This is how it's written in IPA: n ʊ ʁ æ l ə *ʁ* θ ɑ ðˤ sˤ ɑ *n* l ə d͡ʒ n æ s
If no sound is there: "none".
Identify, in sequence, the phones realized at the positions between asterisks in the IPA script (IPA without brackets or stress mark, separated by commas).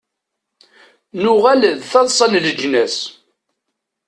ð, n